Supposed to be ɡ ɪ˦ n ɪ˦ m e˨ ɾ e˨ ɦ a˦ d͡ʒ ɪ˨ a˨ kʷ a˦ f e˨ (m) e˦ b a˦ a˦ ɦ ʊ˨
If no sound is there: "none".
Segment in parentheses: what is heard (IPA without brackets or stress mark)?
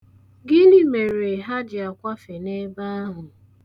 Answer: n